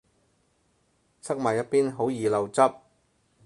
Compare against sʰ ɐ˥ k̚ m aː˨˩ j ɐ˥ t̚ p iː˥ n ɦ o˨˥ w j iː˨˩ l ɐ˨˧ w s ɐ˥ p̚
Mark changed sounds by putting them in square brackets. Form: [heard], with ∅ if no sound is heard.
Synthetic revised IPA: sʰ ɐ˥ k̚ m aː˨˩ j ɐ˥ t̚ p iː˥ n ɦ o˨˥ w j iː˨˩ l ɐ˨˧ w [t͡s] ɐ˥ p̚